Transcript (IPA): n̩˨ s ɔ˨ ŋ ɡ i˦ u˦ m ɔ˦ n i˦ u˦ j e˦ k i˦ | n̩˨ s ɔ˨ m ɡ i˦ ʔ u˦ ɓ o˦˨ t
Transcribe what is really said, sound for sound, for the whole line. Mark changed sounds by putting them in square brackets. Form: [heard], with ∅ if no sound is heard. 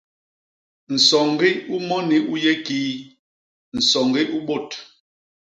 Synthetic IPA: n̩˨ s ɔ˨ ŋ ɡ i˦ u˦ m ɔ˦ n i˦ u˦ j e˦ k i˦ | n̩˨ s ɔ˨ [ŋ] ɡ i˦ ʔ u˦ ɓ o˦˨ t